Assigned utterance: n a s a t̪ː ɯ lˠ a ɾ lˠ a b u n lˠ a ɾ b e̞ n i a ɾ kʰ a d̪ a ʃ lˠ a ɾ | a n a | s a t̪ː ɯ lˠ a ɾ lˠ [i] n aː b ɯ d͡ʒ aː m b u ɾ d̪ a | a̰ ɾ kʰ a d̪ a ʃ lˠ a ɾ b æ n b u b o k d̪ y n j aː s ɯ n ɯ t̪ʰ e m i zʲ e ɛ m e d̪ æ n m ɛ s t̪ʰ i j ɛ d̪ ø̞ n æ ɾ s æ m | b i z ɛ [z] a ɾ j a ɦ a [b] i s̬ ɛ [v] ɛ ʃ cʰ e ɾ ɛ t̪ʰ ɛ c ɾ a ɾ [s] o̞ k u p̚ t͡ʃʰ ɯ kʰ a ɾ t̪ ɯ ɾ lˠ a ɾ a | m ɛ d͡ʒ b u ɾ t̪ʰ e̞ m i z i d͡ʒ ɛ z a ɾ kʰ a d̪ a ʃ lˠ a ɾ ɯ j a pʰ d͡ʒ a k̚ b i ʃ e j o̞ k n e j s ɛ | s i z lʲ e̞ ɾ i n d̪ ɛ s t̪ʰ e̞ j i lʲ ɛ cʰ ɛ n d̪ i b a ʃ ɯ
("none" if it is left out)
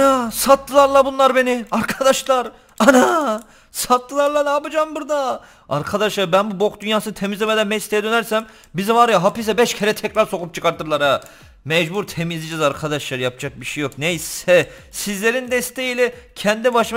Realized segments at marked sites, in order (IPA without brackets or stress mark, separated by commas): a, v, p, b, s